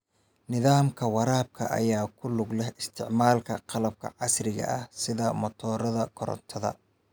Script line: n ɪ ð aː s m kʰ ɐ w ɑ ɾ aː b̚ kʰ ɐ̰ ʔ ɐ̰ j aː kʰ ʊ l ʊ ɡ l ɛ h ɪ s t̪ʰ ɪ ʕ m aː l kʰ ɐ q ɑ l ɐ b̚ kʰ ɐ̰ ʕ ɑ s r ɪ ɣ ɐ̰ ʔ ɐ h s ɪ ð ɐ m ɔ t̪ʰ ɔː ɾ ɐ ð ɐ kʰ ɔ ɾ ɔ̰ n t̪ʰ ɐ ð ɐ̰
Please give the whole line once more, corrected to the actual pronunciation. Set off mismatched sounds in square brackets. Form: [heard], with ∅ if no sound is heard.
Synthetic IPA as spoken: n ɪ ð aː [∅] m kʰ ɐ w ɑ ɾ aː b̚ kʰ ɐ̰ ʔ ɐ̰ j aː kʰ ʊ l ʊ ɡ l ɛ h ɪ s t̪ʰ ɪ ʕ m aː l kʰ ɐ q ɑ l ɐ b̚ kʰ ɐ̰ ʕ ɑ s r ɪ ɣ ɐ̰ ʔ ɐ h s ɪ ð ɐ m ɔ t̪ʰ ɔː ɾ ɐ ð ɐ kʰ ɔ ɾ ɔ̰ n t̪ʰ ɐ ð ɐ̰